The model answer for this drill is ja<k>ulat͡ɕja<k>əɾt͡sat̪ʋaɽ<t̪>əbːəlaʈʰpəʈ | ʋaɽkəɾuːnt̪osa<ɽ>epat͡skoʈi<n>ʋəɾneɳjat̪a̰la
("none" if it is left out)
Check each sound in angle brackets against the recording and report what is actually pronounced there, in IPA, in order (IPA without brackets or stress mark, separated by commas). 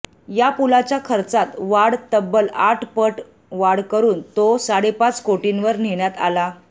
p, kʰ, t̪, ɽ, n